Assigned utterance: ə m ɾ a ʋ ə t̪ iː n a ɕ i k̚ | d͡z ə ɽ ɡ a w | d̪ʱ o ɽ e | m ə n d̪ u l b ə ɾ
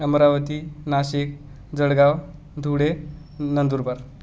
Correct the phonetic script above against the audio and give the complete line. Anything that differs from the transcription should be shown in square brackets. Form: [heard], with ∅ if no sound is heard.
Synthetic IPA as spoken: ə m ɾ a ʋ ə t̪ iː n a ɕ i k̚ | d͡z ə ɽ ɡ a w | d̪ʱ [u] ɽ e | [n] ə n d̪ u [ɾ] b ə ɾ

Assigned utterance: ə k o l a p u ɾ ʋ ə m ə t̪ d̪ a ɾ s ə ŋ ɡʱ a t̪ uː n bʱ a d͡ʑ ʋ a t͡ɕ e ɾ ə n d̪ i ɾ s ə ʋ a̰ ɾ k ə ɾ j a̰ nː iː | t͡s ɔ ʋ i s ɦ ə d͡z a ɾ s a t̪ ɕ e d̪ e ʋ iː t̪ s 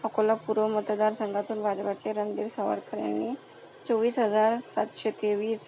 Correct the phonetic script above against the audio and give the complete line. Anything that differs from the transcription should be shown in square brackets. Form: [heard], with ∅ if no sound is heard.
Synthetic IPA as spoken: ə k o l a p u ɾ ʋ ə m ə t̪ d̪ a ɾ s ə ŋ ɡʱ a t̪ uː n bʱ a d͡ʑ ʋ a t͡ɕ e ɾ ə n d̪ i ɾ s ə ʋ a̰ ɾ k ə ɾ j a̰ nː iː | t͡s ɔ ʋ [iː] s ɦ ə d͡z a ɾ s a t̪ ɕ e [t̪] e ʋ iː [∅] s

